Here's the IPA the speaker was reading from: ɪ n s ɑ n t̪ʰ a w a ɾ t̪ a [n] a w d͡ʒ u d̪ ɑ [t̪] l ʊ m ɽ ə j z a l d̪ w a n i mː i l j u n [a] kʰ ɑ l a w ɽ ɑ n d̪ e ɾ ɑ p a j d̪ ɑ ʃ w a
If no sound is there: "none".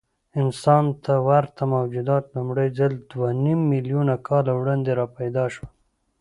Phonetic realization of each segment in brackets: m, t̪, a

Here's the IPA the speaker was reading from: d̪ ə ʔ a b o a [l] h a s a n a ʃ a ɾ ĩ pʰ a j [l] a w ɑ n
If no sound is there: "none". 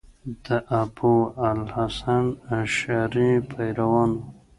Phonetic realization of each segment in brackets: l, ɾ

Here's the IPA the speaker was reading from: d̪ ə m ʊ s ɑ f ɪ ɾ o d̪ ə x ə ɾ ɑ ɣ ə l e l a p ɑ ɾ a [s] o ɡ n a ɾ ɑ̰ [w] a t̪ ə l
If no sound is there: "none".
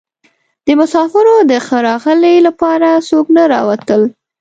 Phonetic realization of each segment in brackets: s, w

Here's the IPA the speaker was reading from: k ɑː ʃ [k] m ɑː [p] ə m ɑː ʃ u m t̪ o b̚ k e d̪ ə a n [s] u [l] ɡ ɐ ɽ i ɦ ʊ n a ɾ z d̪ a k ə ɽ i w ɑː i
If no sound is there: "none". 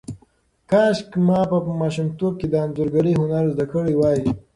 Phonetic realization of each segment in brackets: k, p, z, ɾ

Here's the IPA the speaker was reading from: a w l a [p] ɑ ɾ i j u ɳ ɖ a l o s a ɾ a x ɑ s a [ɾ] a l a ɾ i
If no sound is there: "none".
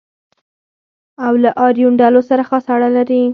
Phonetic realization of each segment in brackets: ʔ, ɽ

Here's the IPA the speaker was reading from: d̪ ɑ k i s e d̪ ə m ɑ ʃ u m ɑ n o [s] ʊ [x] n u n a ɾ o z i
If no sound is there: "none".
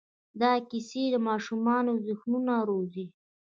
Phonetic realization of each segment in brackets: z, x

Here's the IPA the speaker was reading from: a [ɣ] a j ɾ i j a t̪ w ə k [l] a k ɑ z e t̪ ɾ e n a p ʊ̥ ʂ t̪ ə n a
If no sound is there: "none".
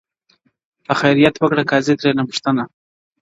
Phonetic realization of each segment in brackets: x, ɽ

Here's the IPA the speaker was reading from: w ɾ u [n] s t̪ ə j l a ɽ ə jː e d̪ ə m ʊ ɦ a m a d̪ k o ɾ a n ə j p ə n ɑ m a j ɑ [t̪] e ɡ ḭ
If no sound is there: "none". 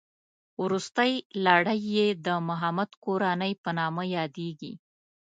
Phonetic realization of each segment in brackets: none, d̪

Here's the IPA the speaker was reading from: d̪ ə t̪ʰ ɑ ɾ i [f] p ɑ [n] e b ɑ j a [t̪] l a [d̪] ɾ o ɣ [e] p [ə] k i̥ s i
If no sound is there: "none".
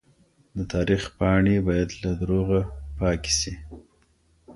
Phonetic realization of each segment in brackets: x, ɳ, d̪, d̪, a, ɑ

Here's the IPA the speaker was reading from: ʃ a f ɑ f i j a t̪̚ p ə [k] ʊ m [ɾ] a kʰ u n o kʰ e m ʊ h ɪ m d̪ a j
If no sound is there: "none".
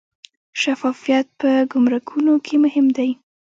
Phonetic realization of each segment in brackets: ɡ, ɾ

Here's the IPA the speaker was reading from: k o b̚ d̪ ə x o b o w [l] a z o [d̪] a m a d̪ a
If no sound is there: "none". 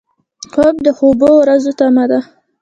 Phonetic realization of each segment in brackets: ɾ, t̪

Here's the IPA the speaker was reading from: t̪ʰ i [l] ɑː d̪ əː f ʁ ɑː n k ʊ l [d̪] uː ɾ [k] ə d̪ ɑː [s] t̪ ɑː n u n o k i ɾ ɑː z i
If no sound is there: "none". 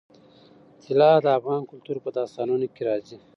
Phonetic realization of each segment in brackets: l, t̪, p, s

